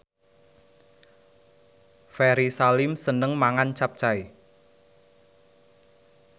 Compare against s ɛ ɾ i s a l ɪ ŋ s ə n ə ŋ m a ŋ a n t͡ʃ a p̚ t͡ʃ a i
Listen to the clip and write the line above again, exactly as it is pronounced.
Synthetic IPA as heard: f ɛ ɾ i s a l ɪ m s ə n ə ŋ m a ŋ a n t͡ʃ a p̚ t͡ʃ a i